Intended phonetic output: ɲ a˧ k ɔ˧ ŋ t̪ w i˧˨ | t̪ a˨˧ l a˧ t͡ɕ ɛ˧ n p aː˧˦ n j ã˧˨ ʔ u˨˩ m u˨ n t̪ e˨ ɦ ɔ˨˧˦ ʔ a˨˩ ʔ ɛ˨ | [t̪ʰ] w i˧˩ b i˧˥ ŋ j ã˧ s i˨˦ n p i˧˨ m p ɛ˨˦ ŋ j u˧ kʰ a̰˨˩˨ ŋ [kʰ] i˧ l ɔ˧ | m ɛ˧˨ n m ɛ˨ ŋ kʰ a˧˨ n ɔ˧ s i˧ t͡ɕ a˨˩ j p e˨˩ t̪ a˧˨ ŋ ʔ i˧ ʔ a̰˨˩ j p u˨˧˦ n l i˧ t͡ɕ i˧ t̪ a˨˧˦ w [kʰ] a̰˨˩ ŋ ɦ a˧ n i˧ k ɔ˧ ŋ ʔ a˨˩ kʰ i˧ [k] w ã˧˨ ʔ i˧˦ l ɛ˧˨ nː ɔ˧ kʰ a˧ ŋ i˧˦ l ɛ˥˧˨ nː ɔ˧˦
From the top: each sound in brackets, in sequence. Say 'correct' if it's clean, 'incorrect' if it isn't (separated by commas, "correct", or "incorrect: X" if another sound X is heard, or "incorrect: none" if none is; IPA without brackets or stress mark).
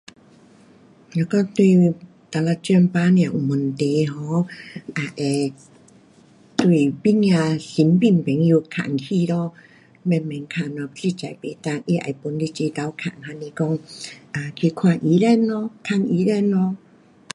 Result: incorrect: t̪, correct, correct, incorrect: kʰ